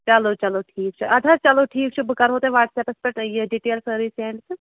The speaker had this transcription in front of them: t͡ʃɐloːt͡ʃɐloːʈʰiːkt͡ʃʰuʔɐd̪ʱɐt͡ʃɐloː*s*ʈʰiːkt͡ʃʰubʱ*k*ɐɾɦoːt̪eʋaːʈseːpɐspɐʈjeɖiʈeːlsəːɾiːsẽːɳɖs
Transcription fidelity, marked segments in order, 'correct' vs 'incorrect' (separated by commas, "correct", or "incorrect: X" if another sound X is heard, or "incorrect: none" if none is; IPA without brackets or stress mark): incorrect: none, correct